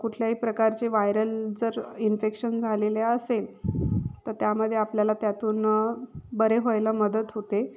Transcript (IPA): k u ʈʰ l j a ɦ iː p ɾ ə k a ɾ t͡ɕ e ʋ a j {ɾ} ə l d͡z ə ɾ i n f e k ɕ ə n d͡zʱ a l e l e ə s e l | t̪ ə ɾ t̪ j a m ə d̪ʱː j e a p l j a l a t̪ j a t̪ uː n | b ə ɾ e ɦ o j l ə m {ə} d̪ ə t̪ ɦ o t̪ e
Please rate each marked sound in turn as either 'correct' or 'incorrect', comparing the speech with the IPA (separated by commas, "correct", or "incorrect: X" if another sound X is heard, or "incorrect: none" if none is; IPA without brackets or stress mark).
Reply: correct, correct